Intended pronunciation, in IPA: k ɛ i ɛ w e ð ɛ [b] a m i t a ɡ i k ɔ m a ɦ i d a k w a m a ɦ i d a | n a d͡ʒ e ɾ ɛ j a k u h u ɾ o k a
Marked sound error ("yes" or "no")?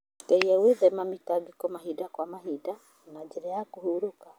yes